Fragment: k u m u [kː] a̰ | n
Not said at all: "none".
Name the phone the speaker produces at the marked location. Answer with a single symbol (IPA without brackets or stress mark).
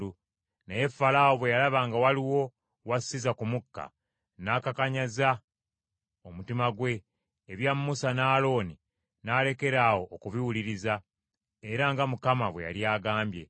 kː